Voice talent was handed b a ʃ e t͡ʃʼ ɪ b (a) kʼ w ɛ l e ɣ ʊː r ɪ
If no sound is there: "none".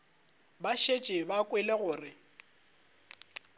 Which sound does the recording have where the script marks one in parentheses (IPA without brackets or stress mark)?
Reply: a